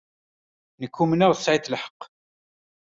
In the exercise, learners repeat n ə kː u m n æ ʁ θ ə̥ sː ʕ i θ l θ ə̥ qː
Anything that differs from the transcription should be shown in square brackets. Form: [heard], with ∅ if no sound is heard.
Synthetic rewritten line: n ə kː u m n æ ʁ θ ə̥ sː ʕ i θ l [ħ] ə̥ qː